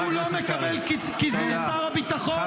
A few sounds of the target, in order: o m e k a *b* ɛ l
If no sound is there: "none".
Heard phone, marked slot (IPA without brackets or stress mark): b